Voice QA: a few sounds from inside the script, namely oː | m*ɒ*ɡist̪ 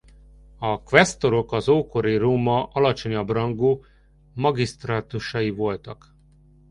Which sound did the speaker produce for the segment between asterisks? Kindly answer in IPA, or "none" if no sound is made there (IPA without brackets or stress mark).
ɒ